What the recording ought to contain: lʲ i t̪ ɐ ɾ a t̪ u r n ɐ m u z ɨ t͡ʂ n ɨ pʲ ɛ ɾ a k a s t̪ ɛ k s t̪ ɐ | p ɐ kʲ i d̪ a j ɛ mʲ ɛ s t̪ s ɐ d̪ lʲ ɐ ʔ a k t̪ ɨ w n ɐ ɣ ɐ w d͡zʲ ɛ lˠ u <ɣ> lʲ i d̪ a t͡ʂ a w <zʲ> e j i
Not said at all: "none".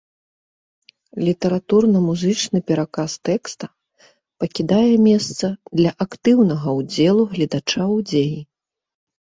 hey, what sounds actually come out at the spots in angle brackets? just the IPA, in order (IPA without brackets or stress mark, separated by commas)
ɣ, d͡zʲ